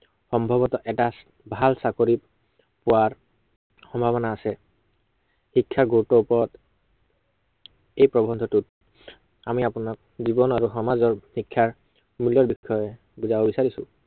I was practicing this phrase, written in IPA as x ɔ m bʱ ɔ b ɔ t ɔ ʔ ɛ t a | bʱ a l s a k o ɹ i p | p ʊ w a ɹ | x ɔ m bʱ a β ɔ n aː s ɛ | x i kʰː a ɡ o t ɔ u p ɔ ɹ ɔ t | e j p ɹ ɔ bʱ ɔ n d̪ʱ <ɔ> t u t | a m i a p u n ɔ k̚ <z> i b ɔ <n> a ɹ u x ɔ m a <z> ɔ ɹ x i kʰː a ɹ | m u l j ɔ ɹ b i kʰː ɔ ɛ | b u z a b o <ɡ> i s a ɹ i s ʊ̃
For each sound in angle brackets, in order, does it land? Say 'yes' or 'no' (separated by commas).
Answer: yes, yes, yes, yes, no